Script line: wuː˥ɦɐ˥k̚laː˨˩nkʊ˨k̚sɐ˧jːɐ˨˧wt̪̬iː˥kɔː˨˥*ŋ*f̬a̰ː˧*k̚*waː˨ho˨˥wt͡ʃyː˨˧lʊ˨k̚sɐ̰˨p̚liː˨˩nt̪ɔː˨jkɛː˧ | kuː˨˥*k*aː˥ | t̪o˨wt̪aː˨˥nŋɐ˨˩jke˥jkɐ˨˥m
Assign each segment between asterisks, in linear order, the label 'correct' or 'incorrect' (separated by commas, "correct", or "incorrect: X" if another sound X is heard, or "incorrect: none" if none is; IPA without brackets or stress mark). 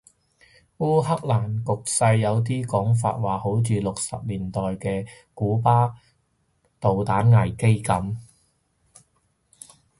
correct, incorrect: t̚, incorrect: p